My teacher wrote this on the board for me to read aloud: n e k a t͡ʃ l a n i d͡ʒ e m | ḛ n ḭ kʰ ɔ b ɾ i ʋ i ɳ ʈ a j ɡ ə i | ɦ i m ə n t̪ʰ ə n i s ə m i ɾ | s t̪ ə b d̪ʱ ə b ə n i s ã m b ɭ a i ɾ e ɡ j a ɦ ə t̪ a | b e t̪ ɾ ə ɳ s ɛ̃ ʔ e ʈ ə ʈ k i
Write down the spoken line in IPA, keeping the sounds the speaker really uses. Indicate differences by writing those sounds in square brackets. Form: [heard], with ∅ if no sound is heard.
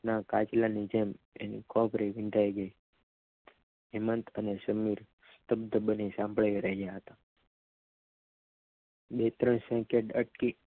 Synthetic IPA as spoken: n [a] k a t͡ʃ l a n i d͡ʒ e m | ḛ n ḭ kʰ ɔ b ɾ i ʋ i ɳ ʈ a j ɡ ə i | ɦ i m ə n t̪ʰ ə n [e] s ə m i ɾ | s t̪ ə b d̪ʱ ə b ə n i s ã m b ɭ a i ɾ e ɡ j a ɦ ə t̪ a | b e t̪ ɾ ə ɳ s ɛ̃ [k] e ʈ ə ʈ k i